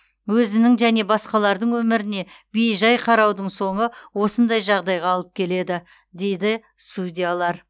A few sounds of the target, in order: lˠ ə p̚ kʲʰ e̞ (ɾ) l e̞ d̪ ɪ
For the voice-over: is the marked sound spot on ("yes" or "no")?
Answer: no